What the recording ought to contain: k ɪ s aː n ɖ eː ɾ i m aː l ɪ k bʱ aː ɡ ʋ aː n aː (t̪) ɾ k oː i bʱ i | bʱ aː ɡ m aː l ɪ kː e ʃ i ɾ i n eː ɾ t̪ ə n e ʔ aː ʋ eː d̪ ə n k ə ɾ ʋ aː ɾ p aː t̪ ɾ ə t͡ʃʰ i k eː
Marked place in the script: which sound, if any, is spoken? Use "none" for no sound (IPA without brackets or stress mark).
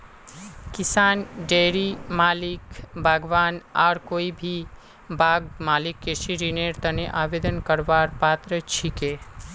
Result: none